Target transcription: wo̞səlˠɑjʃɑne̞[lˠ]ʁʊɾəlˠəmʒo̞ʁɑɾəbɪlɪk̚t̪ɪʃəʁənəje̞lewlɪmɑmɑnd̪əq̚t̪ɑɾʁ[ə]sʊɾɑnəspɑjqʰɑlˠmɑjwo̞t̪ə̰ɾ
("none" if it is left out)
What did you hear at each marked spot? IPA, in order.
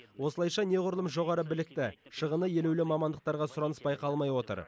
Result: none, ɑ

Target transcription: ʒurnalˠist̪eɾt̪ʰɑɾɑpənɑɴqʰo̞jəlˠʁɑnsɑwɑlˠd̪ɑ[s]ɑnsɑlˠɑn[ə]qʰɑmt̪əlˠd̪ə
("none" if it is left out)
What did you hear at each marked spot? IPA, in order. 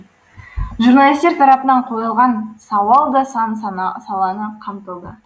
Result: s, ə

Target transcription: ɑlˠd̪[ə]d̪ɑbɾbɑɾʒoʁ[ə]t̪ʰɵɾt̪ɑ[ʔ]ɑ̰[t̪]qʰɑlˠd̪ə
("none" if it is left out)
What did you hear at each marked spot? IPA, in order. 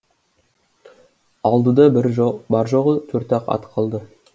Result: ə, ə, q, t̪

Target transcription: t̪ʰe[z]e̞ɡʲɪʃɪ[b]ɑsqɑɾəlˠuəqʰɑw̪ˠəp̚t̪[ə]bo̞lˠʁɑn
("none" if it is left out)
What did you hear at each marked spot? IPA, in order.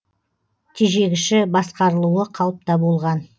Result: ʒ, b, ɑ

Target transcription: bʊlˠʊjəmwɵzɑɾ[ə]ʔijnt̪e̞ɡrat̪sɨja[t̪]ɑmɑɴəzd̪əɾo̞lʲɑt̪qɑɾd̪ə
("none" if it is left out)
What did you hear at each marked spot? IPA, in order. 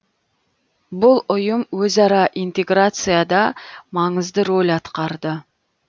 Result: ɑ, d̪

